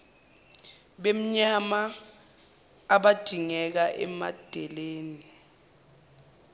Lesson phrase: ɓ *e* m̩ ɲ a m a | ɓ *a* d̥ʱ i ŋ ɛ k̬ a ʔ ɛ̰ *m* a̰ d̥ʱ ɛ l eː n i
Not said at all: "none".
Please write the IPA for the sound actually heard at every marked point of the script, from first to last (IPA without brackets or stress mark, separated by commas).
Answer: e, a, m